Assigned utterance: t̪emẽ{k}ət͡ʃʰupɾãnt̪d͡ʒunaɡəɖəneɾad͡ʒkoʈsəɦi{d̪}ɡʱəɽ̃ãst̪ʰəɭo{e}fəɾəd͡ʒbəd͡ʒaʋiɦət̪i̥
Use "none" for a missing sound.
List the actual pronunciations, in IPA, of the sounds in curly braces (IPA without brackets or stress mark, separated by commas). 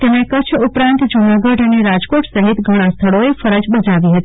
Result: k, t̪, e